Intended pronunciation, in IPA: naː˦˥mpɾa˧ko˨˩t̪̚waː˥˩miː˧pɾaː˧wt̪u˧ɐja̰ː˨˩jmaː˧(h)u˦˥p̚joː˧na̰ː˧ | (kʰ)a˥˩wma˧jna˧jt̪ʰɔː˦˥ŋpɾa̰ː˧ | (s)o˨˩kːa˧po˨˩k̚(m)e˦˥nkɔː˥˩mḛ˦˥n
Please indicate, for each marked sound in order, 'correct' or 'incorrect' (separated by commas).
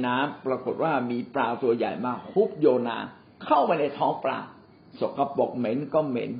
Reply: correct, correct, correct, correct